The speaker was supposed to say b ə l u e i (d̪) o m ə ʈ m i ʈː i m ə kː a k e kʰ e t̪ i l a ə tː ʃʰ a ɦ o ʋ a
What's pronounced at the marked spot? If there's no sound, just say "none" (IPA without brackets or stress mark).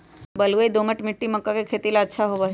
d̪